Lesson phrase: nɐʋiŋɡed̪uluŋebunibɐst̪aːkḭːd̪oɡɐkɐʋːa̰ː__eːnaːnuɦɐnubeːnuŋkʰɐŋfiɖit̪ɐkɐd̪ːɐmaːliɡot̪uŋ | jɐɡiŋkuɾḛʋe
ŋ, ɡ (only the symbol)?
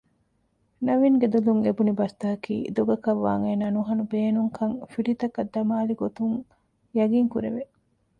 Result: ŋ